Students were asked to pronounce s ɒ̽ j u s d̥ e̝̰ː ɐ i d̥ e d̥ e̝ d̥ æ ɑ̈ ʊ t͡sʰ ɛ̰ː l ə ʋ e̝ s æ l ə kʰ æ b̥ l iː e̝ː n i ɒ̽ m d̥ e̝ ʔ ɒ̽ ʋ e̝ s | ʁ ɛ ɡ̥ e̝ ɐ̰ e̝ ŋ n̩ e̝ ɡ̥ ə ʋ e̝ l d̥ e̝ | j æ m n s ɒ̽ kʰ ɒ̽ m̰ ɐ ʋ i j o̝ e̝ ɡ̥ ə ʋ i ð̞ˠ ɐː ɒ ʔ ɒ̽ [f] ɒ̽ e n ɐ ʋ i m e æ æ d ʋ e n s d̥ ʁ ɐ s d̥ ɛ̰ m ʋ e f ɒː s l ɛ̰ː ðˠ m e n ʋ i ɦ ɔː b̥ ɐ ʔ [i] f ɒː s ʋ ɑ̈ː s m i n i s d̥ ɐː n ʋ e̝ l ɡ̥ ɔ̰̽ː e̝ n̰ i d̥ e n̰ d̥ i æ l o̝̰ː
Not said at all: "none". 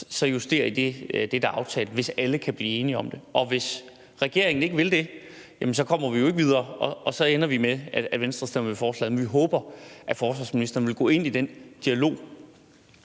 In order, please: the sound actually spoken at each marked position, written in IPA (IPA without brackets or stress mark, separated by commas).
s, æ